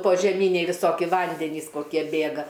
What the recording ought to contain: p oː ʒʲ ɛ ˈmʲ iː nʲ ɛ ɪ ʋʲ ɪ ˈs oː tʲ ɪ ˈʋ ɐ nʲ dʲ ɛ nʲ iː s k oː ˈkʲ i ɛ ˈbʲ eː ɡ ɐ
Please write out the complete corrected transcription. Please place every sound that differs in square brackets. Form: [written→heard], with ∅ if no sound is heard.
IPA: p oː ʒʲ ɛ ˈmʲ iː nʲ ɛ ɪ ʋʲ ɪ ˈs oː [tʲ→kʲ] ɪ ˈʋ ɐ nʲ dʲ ɛ nʲ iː s k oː ˈkʲ i ɛ ˈbʲ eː ɡ ɐ